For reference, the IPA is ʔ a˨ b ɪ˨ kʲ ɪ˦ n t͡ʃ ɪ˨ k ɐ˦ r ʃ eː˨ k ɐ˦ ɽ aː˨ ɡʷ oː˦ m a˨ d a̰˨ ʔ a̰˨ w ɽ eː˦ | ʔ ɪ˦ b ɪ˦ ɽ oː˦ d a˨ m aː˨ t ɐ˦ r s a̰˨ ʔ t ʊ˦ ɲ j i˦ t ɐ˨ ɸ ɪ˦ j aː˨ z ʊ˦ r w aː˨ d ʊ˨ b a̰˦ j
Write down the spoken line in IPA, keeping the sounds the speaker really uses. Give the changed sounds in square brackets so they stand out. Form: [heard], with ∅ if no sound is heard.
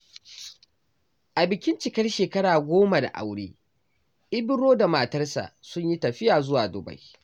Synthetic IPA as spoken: ʔ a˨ b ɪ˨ kʲ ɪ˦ n t͡ʃ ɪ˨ k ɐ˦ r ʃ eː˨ k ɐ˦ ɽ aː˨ ɡʷ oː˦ m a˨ d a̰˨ ʔ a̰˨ w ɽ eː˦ | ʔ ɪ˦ b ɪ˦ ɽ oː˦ d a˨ m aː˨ t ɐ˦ r s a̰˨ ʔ [s] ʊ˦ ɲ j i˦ t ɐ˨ ɸ ɪ˦ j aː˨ z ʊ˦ [∅] w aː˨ d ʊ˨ b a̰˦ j

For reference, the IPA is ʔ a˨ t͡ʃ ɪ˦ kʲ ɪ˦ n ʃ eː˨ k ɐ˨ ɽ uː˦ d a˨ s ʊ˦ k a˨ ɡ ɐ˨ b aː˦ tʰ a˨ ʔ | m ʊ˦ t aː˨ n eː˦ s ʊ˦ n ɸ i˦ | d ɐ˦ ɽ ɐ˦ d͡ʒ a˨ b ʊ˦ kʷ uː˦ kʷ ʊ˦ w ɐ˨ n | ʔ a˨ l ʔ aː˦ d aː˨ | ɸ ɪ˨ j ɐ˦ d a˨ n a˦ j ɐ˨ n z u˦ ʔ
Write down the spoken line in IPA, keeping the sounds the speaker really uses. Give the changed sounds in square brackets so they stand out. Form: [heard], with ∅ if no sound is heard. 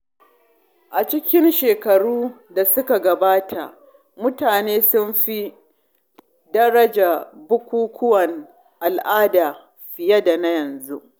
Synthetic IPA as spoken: ʔ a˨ t͡ʃ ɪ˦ kʲ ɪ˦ n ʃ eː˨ k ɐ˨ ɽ uː˦ d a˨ s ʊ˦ k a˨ ɡ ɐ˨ b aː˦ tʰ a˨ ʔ | m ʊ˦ t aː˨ n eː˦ s ʊ˦ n ɸ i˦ | d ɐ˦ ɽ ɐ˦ d͡ʒ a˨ b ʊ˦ kʷ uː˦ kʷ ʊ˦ w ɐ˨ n | ʔ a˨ l ʔ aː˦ d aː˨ | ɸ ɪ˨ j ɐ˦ d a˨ n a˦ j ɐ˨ n z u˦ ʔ

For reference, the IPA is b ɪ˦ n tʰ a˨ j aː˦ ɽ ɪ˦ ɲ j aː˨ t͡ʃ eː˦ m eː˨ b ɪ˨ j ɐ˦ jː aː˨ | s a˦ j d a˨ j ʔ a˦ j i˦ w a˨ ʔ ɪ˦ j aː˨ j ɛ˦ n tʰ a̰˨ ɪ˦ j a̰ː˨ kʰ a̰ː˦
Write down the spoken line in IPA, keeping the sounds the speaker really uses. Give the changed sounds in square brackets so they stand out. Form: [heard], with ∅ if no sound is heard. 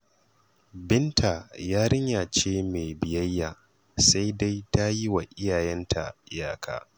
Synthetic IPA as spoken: b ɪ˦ n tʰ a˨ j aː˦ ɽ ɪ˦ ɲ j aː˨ t͡ʃ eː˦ m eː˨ b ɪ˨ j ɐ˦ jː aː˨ | s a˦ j d [a˦] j [t] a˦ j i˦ w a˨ ʔ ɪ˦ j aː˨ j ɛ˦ n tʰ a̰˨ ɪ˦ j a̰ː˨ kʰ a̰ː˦

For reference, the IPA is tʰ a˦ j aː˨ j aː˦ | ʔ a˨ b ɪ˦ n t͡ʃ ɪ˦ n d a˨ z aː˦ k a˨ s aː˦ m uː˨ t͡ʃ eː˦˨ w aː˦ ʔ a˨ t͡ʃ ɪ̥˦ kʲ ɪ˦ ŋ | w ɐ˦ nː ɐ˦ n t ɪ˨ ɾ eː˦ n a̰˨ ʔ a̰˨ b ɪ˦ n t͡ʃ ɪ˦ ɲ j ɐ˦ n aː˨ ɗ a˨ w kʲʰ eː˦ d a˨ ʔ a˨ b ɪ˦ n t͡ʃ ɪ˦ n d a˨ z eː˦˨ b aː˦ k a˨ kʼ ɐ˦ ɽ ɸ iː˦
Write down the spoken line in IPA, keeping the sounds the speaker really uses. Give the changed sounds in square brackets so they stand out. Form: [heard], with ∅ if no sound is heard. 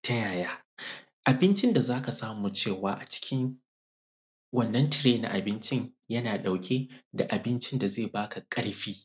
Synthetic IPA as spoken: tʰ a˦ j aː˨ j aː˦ | ʔ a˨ b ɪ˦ n t͡ʃ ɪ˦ n d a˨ z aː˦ k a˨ s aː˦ m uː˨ t͡ʃ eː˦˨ w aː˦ ʔ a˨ t͡ʃ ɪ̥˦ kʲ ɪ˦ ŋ | w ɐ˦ nː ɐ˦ n t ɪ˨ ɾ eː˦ n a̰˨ ʔ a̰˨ b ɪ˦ n t͡ʃ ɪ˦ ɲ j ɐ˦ n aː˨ ɗ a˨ w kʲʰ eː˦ d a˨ ʔ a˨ b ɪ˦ n t͡ʃ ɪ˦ n d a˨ z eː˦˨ b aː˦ k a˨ kʼ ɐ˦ ɽ ɸ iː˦

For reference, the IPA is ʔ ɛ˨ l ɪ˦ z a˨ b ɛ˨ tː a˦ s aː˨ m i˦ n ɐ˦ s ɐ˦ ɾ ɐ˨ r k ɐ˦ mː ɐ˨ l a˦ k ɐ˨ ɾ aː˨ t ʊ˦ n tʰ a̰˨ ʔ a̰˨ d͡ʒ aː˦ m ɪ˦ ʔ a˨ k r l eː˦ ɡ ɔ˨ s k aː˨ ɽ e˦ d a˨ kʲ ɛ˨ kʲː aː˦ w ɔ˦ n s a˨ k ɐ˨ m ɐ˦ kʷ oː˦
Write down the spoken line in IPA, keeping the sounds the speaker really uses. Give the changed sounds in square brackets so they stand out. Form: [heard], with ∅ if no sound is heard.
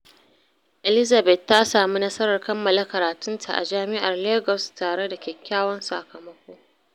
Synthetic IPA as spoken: ʔ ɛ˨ l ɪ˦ z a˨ b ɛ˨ tː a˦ s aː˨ m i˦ n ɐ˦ s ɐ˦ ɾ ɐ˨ r k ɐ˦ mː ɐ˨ l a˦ k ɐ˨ ɾ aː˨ t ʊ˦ n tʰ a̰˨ ʔ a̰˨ d͡ʒ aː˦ m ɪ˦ ʔ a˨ [∅] r l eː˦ ɡ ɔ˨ s [t] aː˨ ɽ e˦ d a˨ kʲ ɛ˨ kʲː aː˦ w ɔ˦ n s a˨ k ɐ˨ m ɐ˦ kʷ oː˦

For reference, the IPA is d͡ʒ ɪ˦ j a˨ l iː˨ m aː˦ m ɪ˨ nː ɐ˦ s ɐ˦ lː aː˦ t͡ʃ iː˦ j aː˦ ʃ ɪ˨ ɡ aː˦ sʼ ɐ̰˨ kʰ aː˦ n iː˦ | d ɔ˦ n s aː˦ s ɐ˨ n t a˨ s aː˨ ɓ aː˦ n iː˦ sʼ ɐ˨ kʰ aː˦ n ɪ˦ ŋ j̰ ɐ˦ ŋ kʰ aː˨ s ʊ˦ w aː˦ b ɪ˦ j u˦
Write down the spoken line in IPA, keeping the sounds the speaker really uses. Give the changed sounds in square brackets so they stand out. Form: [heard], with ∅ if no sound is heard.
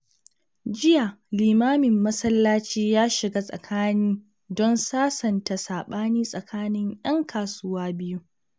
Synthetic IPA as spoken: d͡ʒ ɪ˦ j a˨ l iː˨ m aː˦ m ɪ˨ [mː] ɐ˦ s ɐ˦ lː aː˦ t͡ʃ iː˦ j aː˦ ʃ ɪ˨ ɡ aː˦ sʼ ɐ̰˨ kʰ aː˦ n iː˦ | d ɔ˦ n s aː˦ s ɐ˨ n t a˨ s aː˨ ɓ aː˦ n iː˦ sʼ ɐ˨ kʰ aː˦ n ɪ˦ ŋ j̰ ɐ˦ ŋ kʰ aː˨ s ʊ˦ w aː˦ b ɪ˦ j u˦

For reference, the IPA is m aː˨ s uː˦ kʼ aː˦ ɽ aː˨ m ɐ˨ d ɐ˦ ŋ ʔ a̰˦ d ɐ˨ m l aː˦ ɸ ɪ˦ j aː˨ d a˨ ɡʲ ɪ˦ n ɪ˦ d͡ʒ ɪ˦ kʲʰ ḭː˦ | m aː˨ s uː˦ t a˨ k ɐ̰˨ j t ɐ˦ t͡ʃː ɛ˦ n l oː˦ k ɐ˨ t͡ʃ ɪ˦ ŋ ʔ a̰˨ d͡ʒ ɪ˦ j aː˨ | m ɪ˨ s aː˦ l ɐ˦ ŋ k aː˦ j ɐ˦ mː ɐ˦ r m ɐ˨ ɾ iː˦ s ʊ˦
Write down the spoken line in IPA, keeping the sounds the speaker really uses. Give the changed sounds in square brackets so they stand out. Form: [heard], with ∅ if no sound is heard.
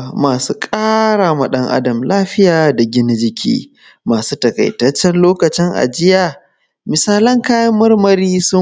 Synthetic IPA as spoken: m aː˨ s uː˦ kʼ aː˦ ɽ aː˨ m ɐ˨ [ɗ] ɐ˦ ŋ ʔ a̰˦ d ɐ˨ m l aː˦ ɸ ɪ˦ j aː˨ d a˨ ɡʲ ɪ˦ n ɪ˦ d͡ʒ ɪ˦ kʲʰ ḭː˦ | m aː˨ s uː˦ t [ɐ˨] k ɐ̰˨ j t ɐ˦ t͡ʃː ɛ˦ n l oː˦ k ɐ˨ t͡ʃ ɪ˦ ŋ ʔ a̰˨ d͡ʒ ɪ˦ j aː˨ | m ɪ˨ s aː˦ l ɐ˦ ŋ k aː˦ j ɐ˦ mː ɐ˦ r m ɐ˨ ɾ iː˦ s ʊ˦

